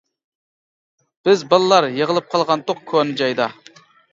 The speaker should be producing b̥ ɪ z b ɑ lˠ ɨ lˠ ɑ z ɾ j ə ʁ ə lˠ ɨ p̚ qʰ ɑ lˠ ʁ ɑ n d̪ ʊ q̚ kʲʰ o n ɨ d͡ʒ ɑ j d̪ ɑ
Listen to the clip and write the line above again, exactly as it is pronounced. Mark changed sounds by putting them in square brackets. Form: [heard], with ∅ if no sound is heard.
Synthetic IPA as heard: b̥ ɪ z b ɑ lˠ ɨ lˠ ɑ [∅] ɾ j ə ʁ ə lˠ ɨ p̚ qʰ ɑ lˠ ʁ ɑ n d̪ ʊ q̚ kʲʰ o n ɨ d͡ʒ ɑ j d̪ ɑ